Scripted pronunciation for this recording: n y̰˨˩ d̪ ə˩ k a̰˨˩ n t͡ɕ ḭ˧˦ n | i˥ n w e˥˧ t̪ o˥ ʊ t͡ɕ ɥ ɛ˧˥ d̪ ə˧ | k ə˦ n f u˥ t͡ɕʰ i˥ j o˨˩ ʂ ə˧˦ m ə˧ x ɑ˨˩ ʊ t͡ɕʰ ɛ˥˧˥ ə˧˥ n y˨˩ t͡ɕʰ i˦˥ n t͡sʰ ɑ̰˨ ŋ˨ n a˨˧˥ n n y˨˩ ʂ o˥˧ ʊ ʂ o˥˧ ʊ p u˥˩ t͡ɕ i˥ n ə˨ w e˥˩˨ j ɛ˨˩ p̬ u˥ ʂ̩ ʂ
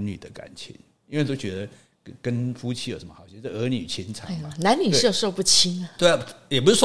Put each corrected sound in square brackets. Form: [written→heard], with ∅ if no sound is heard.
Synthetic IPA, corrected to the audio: n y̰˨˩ d̪ [ə˩→ə˦] k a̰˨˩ n [t͡ɕ→t͡ɕʰ] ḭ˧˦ n | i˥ n w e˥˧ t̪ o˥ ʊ t͡ɕ ɥ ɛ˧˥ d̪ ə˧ | k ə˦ n f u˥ t͡ɕʰ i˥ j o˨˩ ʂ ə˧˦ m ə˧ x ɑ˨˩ ʊ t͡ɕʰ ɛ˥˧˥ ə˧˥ n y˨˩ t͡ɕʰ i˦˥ n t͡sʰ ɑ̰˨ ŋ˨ n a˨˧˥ n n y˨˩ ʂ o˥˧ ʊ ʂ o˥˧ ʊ p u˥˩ [t͡ɕ→t͡ɕʰ] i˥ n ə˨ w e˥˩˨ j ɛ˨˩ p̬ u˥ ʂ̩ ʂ